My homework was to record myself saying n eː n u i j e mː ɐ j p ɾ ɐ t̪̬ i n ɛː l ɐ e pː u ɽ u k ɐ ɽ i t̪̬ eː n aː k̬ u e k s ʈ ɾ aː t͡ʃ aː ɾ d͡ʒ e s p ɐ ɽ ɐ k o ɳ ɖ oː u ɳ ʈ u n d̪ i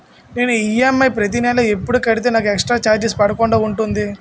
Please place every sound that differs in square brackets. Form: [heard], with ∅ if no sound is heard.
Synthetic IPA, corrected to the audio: n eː n u i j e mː ɐ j p ɾ ɐ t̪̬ i n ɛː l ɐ e pː u ɽ u k ɐ ɽ i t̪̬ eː n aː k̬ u e k s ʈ ɾ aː t͡ʃ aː ɾ d͡ʒ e s p ɐ ɽ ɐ k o ɳ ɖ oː u ɳ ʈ u n d̪ i